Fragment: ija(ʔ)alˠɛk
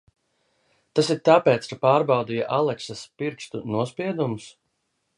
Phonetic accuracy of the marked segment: correct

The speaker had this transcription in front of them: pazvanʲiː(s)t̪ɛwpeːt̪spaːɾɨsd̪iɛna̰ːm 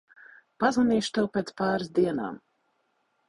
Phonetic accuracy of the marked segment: incorrect: ʃ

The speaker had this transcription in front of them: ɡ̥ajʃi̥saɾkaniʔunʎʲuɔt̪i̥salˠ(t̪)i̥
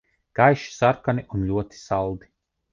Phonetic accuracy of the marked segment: incorrect: d̪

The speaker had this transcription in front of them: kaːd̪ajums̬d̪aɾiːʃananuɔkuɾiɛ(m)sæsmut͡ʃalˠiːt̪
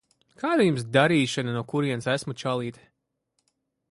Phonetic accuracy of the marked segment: incorrect: n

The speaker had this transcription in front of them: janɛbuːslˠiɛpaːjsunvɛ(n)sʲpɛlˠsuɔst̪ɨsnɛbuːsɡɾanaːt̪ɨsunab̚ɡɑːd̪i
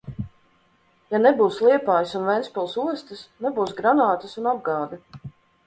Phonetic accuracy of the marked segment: correct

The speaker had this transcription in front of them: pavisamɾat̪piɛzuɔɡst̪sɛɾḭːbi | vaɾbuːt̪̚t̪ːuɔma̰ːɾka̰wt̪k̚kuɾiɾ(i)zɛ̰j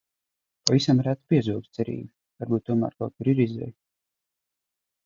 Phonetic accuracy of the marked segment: correct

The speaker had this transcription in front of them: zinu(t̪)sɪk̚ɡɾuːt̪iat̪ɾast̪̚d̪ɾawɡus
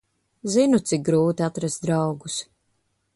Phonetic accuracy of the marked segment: correct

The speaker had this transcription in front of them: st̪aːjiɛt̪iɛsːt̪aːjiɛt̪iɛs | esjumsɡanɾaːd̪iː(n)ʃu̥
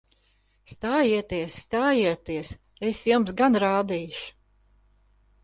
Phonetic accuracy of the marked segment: incorrect: none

